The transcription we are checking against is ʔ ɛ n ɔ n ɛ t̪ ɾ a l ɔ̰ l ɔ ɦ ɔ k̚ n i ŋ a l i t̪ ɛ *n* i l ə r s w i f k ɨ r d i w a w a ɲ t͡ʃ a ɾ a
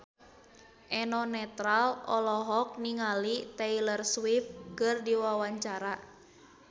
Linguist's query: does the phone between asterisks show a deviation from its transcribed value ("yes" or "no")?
yes